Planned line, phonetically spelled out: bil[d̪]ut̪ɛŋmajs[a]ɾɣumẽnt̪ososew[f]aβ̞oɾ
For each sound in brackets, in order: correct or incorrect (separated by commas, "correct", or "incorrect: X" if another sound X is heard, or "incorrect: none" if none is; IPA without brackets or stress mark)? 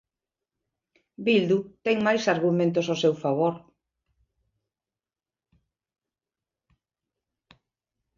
correct, correct, correct